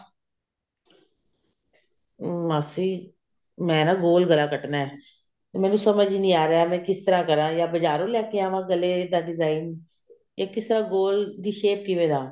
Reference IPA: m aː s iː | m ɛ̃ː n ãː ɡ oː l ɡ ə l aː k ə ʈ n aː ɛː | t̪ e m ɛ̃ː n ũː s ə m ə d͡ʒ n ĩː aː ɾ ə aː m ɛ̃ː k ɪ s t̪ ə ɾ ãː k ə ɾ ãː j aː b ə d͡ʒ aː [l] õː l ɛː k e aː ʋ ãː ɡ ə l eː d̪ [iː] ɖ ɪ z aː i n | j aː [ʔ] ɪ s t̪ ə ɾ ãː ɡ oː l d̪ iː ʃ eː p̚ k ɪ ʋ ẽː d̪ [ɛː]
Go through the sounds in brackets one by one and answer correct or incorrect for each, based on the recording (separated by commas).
incorrect, incorrect, incorrect, incorrect